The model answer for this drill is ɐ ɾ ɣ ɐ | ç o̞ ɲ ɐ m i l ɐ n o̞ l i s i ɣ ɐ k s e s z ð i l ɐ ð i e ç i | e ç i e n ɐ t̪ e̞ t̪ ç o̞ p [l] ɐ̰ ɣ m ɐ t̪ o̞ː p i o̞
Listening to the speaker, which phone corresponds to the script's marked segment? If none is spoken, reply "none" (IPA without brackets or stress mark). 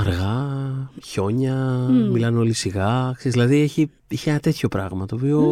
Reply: ɾ